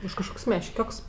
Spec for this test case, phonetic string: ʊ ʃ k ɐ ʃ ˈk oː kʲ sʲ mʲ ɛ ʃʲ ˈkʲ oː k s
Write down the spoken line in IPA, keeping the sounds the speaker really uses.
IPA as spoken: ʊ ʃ k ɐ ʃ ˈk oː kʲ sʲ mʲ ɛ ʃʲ ˈkʲ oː k s